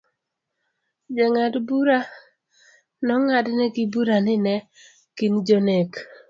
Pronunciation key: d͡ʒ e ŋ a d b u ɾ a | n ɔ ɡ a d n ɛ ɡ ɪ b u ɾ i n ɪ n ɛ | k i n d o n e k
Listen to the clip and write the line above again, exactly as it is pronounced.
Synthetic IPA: d͡ʒ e ŋ a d b u ɾ a | n ɔ ŋ a d n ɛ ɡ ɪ b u ɾ a n ɪ n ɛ | k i n d͡ʒ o n e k

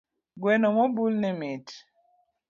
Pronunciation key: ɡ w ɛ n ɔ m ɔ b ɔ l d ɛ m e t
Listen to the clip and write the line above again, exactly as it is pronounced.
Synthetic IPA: ɡ w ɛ n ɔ m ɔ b u l n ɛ m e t

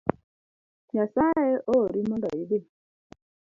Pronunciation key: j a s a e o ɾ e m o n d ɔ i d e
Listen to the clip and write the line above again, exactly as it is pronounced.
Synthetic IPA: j a s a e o ɾ i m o n d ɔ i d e

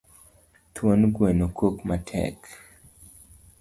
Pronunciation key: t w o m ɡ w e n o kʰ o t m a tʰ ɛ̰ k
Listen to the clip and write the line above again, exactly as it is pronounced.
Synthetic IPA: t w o n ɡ w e n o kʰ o k m a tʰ ɛ̰ k

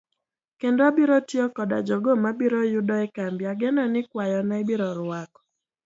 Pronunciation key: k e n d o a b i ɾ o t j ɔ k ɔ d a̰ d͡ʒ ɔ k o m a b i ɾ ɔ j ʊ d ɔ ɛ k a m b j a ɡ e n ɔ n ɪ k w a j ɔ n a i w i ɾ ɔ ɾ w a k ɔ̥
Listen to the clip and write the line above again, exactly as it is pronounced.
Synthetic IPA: k e n d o a b i ɾ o t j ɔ k ɔ d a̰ d͡ʒ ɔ ɡ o m a b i ɾ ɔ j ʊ d ɔ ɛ k a m b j a ɡ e n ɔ n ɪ k w a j ɔ n a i b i ɾ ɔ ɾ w a k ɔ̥

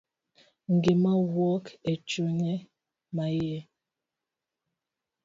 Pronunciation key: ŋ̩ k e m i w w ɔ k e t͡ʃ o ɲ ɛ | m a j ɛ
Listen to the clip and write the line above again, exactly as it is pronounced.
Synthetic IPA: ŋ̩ ɡ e m a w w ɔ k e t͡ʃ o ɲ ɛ | m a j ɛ

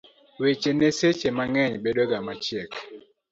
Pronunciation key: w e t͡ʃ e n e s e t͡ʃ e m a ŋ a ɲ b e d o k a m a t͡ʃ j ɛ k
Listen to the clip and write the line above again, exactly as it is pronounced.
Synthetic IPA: w e t͡ʃ e n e s e t͡ʃ e m a ŋ ɛ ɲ b e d o ɡ a m a t͡ʃ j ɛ k

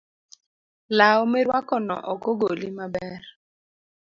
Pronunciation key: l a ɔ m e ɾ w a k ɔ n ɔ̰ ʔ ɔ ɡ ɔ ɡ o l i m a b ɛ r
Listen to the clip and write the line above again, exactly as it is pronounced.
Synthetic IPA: l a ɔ m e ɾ w a k ɔ n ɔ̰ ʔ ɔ k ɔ ɡ o l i m a b ɛ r

